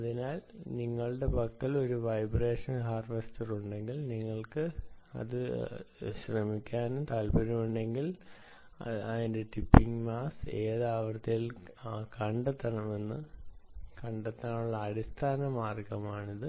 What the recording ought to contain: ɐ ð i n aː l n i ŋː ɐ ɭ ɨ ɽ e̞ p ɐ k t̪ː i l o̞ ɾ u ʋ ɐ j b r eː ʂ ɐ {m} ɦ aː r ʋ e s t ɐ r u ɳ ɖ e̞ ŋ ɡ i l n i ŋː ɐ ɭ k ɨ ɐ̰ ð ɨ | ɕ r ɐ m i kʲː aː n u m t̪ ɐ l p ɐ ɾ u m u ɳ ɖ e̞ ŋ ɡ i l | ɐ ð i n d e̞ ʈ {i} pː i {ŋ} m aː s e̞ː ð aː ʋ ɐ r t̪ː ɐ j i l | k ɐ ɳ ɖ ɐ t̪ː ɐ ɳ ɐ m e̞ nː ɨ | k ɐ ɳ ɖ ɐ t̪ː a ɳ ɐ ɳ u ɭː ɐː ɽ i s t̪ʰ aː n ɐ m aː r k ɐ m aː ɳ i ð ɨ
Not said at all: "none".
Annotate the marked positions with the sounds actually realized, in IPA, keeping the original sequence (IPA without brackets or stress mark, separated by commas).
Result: n, i, ŋ